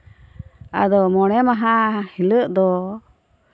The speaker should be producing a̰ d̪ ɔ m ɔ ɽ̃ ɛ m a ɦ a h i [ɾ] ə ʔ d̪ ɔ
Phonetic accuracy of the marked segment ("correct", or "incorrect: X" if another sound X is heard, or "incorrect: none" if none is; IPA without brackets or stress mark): incorrect: l